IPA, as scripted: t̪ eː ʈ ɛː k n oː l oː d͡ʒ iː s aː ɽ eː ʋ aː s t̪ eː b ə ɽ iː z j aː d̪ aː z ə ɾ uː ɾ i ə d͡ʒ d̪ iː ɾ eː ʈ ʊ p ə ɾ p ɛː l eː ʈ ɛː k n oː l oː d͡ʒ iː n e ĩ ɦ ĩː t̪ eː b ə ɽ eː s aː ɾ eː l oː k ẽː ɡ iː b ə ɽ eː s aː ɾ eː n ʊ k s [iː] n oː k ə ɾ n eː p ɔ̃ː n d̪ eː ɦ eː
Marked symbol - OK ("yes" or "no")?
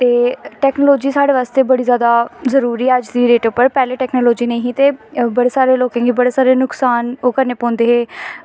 no